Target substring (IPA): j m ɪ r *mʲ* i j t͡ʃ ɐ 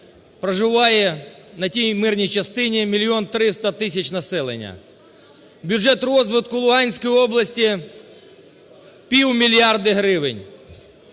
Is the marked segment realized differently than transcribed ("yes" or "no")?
yes